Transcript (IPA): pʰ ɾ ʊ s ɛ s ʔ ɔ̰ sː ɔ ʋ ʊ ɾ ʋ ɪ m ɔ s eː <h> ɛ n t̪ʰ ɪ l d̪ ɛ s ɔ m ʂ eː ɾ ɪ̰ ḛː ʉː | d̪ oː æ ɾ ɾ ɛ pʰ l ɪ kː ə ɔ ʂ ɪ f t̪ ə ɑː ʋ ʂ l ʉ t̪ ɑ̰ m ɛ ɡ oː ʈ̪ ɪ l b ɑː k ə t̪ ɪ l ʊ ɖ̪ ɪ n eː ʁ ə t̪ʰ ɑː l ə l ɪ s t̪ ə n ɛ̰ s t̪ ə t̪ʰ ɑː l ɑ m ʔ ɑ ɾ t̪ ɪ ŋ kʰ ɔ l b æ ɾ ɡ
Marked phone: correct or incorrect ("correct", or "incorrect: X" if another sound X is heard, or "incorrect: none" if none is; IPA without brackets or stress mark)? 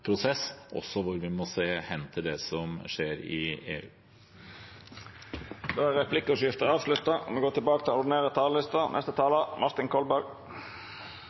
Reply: correct